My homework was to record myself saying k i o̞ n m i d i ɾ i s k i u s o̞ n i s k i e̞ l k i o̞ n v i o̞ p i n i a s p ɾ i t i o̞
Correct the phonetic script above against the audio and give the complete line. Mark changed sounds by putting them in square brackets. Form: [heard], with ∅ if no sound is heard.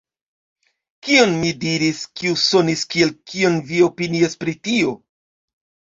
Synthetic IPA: k i o̞ n m i d i ɾ i s k i u s o̞ n i s k i e̞ l k i o̞ n v i o̞ p i n i a s p ɾ i t i o̞